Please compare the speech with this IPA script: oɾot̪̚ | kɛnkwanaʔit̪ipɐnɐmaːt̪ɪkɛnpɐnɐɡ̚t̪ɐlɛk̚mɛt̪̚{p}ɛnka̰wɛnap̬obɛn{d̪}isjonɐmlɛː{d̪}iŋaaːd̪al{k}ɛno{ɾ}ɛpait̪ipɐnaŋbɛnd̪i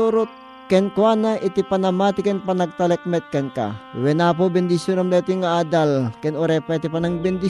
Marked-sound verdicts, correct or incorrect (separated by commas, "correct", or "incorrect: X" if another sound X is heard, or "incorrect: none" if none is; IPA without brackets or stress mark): incorrect: k, correct, incorrect: t̪, correct, correct